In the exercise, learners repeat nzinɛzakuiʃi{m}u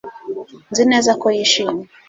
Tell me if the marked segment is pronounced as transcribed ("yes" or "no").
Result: yes